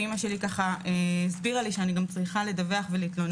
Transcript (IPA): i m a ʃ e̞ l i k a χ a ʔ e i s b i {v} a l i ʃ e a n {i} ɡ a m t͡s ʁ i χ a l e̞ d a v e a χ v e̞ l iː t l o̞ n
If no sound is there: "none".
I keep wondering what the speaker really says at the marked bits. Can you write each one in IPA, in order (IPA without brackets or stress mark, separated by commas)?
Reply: ʁ, i